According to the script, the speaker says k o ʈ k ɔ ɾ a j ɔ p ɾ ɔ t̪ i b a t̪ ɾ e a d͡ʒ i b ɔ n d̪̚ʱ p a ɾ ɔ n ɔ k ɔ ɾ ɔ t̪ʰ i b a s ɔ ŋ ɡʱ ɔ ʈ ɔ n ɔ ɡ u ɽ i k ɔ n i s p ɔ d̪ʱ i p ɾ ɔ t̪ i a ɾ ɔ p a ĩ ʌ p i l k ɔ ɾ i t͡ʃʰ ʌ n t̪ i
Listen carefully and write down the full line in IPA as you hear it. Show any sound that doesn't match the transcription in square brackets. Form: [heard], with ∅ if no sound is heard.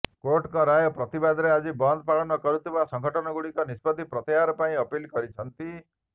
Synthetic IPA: k o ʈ k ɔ ɾ a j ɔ p ɾ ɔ t̪ i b a [d̪] ɾ e a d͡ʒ i b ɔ n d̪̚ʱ p a [ɭ] ɔ n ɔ k ɔ ɾ [u] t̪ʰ i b a s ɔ ŋ ɡʱ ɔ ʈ ɔ n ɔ ɡ u ɽ i k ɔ n i s p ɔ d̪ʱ i p ɾ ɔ t̪ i a ɾ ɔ p a ĩ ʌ p i l k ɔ ɾ i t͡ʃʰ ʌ n t̪ i